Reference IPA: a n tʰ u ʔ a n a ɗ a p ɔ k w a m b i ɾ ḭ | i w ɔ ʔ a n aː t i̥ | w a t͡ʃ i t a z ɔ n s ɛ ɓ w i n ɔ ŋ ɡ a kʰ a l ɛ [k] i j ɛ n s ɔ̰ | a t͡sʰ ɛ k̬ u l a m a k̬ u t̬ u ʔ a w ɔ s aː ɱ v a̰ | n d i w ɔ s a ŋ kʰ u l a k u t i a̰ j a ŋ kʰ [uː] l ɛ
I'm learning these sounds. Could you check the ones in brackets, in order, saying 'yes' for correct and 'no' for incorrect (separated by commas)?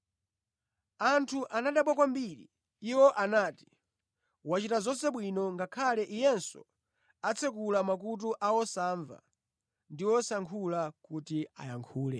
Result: no, yes